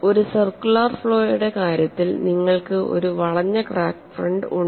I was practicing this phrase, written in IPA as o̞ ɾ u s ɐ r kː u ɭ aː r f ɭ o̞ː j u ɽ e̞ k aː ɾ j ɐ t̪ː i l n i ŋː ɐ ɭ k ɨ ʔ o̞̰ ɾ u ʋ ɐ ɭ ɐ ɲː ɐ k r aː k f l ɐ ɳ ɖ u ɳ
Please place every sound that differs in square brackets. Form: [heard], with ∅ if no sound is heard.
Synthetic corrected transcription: o̞ ɾ u s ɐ r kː u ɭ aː r f ɭ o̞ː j u ɽ e̞ k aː ɾ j ɐ t̪ː i l n i ŋː ɐ ɭ k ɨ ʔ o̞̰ ɾ u ʋ ɐ ɭ ɐ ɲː ɐ k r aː k f [r] ɐ ɳ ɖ u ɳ